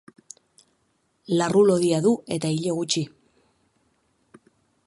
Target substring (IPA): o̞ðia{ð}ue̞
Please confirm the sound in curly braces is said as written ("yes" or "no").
yes